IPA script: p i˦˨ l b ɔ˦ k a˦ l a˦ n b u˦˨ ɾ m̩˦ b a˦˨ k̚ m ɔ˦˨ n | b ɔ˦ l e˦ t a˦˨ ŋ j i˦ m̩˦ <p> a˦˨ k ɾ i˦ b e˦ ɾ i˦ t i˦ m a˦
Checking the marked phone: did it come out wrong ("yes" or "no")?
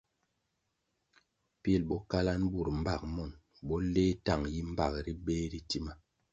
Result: yes